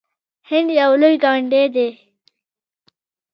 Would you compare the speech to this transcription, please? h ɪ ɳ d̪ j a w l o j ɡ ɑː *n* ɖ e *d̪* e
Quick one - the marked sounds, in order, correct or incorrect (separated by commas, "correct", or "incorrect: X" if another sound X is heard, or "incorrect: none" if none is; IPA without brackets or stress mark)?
incorrect: ɳ, correct